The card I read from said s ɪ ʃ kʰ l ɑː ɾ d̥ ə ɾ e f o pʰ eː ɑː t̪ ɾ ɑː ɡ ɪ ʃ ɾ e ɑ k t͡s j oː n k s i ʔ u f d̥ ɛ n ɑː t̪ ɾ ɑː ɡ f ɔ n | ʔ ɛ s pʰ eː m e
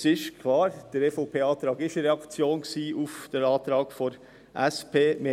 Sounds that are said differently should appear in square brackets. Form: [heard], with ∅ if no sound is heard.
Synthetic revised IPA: s ɪ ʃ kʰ l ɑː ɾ d̥ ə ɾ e f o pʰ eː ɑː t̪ ɾ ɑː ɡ ɪ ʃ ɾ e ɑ k t͡s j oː n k s [iː] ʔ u f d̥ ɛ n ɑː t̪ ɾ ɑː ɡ f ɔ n | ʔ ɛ s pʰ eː m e